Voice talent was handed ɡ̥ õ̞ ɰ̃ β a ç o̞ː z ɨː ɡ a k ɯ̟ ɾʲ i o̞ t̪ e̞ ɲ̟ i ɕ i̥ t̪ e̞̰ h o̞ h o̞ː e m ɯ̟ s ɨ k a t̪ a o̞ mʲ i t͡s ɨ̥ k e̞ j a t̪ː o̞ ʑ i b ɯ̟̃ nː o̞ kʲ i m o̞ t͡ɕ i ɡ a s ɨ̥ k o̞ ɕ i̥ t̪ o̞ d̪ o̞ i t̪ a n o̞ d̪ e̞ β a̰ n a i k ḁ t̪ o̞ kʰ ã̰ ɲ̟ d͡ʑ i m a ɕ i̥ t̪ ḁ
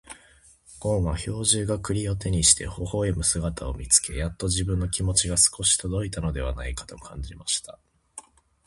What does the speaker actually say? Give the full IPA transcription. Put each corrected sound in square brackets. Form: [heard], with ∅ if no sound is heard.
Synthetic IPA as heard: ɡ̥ õ̞ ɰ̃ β a ç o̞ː [ʑ] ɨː ɡ a k ɯ̟ ɾʲ i o̞ t̪ e̞ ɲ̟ i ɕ i̥ t̪ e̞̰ h o̞ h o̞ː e m ɯ̟ s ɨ [ɡ] a t̪ a o̞ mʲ i t͡s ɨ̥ k e̞ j a t̪ː o̞ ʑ i b ɯ̟̃ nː o̞ kʲ i m o̞ t͡ɕ i ɡ a s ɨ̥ k o̞ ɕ i̥ t̪ o̞ d̪ o̞ i t̪ a n o̞ d̪ e̞ β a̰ n a i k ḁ t̪ o̞ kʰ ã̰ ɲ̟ d͡ʑ i m a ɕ i̥ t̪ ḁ